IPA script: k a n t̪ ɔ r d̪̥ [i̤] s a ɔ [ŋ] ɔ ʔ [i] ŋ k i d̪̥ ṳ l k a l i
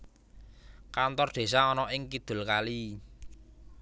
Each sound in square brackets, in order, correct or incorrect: incorrect, incorrect, incorrect

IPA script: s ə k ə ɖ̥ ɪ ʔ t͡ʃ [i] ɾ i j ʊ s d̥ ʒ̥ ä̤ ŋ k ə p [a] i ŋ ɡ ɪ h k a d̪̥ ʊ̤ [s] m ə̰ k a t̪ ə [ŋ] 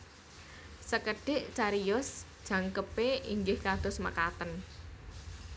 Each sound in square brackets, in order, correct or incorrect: incorrect, incorrect, correct, incorrect

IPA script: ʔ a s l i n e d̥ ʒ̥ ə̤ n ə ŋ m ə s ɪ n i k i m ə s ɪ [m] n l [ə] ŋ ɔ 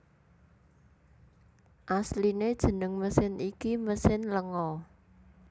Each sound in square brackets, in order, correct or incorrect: incorrect, correct

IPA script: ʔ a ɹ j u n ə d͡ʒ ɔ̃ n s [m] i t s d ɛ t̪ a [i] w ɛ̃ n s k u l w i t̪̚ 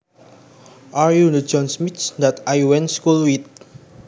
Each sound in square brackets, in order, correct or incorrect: correct, incorrect

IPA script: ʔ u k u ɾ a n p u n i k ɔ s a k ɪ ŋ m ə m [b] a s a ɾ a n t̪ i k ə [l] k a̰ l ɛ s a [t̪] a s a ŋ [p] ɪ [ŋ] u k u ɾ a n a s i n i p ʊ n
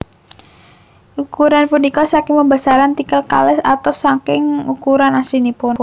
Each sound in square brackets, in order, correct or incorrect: correct, correct, correct, incorrect, correct

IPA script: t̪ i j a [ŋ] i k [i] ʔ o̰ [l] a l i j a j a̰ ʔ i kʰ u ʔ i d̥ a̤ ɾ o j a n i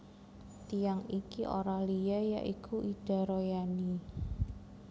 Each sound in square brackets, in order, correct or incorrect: correct, correct, incorrect

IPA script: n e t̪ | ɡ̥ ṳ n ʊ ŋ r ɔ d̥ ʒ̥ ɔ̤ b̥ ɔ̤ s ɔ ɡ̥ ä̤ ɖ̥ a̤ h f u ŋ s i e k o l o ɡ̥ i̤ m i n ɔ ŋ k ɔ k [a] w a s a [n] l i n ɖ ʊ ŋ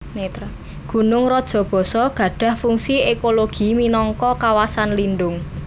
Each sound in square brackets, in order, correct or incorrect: correct, correct

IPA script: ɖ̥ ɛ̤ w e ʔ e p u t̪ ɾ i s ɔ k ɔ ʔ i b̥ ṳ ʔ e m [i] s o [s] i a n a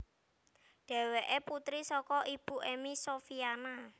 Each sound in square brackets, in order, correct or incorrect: correct, incorrect

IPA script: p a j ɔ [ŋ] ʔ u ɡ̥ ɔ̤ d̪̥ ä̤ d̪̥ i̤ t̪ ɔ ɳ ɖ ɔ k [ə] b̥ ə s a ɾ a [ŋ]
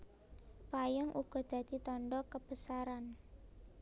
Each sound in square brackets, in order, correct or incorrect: correct, correct, incorrect

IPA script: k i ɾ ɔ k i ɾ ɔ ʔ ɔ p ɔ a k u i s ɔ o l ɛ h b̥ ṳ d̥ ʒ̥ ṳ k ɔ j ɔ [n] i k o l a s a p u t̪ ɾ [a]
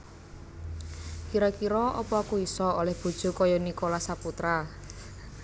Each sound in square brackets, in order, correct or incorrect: correct, correct

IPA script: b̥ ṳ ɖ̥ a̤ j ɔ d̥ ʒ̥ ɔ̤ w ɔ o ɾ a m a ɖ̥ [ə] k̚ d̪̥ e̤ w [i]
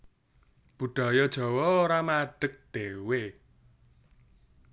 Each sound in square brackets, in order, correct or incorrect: correct, incorrect

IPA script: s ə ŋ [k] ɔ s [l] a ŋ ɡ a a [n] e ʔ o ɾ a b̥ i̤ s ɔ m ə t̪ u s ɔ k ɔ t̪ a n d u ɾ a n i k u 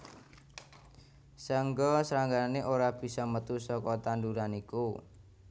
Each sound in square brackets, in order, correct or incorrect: incorrect, incorrect, correct

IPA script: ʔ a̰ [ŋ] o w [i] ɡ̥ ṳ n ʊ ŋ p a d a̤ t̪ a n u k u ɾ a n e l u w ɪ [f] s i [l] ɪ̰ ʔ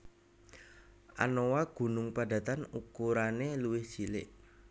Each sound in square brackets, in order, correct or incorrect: incorrect, incorrect, incorrect, correct

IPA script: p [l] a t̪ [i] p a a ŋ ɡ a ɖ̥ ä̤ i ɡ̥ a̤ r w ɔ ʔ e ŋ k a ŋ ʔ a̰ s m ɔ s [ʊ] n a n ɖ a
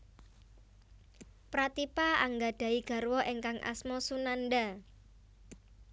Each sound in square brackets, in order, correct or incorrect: incorrect, correct, incorrect

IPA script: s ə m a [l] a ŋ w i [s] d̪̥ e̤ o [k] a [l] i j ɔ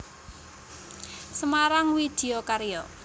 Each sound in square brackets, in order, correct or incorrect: incorrect, incorrect, correct, incorrect

